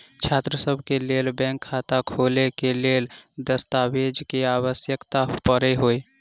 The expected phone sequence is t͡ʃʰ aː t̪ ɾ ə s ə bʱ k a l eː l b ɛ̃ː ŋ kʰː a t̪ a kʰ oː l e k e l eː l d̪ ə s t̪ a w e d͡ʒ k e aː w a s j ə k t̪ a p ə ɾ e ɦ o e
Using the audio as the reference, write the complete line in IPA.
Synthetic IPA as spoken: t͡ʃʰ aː t̪ ɾ ə s ə bʱ k e l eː l b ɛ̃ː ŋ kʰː a t̪ a kʰ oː l e k e l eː l d̪ ə s t̪ a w e d͡ʒ k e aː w ə s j ə k t̪ a p ə ɾ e ɦ o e